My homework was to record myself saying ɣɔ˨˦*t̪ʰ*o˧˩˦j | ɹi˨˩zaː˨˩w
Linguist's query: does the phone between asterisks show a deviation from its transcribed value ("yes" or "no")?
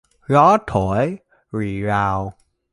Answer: no